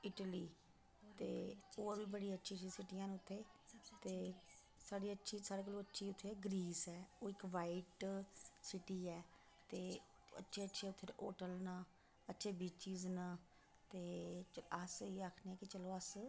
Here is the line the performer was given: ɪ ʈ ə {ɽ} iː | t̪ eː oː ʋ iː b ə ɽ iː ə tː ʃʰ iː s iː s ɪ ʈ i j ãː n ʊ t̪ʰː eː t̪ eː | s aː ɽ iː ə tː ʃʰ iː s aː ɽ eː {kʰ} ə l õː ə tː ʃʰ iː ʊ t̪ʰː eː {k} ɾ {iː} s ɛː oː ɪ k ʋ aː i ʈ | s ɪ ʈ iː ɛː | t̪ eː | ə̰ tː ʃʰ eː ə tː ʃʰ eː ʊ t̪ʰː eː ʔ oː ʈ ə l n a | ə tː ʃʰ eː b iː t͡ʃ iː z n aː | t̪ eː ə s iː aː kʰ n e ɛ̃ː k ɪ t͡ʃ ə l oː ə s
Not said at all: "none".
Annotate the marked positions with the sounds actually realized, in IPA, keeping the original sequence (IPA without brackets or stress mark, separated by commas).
l, k, ɡ, iː